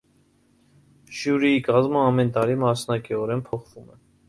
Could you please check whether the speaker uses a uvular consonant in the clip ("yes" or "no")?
yes